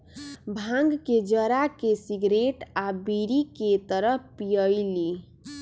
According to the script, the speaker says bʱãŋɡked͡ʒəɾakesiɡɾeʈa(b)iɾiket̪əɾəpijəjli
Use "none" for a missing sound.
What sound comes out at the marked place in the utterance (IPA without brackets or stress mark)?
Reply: b